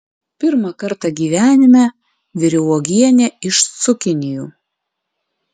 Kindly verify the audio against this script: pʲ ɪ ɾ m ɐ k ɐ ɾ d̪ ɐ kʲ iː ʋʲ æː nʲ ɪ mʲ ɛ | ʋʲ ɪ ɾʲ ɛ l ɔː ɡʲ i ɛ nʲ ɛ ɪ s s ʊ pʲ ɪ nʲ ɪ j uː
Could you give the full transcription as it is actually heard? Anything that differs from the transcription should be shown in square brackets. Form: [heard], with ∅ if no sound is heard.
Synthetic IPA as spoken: pʲ ɪ ɾ m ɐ k ɐ ɾ [t̪] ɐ [ɡʲ] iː ʋʲ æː nʲ ɪ mʲ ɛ | ʋʲ ɪ ɾʲ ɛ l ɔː ɡʲ i ɛ nʲ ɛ ɪ [ʃ] s ʊ [kʲ] ɪ nʲ ɪ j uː